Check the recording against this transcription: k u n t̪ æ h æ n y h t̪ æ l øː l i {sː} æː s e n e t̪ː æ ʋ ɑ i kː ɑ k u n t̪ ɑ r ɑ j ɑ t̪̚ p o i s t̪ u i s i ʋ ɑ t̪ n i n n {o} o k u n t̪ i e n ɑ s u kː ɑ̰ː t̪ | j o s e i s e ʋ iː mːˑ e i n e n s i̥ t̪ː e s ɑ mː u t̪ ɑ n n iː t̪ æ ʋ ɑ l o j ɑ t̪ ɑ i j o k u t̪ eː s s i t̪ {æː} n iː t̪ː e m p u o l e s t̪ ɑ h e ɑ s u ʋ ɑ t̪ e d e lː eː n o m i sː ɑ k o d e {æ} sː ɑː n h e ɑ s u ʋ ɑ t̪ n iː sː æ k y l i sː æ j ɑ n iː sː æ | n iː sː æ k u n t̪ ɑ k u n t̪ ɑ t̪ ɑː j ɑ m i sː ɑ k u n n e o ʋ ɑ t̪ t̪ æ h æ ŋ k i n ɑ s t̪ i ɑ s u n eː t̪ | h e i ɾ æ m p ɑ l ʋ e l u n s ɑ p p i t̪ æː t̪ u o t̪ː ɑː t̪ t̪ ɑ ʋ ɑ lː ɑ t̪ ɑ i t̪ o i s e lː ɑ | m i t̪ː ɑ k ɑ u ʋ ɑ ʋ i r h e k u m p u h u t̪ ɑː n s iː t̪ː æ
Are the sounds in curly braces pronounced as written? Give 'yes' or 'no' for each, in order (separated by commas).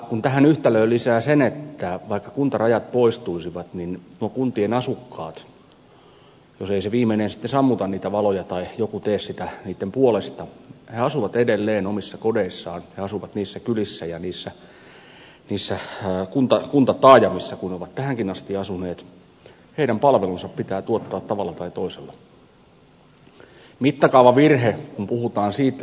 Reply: no, no, no, no